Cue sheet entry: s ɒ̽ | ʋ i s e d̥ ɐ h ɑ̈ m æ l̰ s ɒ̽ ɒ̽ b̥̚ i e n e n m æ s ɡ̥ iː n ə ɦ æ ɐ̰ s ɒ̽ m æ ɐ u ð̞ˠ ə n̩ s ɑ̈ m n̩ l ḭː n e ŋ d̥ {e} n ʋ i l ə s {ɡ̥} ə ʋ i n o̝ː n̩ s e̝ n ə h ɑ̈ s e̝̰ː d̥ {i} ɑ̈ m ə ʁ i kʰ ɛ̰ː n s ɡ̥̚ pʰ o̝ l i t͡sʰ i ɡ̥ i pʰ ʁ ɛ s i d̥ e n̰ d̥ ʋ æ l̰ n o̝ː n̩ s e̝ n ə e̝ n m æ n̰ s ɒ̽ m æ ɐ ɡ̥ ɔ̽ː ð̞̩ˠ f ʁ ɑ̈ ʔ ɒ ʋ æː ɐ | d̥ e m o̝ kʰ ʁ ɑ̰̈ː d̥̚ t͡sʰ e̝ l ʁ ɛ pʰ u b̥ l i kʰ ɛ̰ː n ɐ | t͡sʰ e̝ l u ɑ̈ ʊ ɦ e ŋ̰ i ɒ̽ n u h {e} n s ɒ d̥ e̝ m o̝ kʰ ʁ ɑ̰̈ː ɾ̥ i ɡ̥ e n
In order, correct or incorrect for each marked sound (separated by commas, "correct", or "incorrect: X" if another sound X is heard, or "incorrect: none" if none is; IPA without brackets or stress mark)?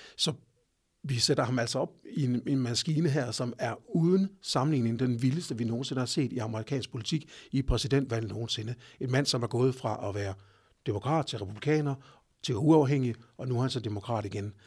correct, incorrect: d̥, correct, incorrect: æ